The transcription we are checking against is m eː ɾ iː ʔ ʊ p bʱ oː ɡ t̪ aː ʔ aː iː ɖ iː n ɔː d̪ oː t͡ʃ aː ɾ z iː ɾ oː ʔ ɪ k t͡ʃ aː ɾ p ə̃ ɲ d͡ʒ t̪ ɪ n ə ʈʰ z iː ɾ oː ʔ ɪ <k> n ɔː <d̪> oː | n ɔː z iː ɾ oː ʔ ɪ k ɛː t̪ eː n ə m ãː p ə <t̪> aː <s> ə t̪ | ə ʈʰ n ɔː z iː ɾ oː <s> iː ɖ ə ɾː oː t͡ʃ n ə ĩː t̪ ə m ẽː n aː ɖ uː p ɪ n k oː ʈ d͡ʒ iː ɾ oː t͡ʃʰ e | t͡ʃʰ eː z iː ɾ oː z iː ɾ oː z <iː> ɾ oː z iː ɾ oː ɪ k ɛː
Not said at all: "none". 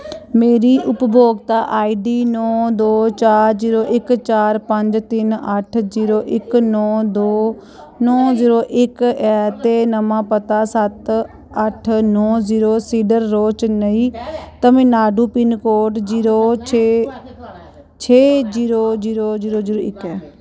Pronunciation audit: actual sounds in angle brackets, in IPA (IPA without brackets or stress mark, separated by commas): k, d̪, t̪, s, s, iː